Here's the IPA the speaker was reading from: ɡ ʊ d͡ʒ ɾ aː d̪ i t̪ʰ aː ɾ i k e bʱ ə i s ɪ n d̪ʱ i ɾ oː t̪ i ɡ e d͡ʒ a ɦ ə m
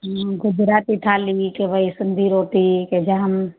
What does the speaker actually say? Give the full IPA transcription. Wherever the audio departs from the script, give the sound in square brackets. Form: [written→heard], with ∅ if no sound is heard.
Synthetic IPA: ɡ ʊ d͡ʒ ɾ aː [d̪→t̪] i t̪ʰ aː [ɾ→l] i k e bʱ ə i s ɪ n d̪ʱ i ɾ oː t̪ i [ɡ→k] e d͡ʒ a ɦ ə m